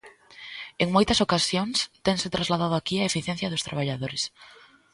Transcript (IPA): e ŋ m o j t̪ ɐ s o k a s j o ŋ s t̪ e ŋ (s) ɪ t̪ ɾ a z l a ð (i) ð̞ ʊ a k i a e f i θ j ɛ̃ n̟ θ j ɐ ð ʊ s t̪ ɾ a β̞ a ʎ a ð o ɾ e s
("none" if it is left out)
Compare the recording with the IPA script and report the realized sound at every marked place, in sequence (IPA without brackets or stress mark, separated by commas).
s, a